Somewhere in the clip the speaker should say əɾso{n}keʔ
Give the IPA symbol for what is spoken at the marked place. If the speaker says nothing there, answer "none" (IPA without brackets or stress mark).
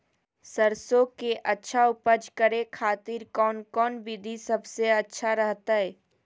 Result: none